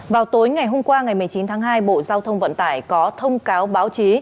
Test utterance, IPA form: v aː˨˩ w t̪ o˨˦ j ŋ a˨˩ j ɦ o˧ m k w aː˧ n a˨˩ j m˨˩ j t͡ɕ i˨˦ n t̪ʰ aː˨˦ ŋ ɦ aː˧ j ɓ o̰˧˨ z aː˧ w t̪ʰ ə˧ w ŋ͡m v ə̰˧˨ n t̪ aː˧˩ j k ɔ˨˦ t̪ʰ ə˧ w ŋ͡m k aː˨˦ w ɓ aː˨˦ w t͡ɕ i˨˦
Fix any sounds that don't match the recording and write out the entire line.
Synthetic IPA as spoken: v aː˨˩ w t̪ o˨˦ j ŋ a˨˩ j ɦ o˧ m k w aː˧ ŋ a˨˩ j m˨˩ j t͡ɕ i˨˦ n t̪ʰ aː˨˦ ŋ ɦ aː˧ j ɓ o̰˧˨ z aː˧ w t̪ʰ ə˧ w ŋ͡m v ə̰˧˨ n t̪ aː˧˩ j k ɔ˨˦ t̪ʰ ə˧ w ŋ͡m k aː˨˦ w ɓ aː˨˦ w t͡ɕ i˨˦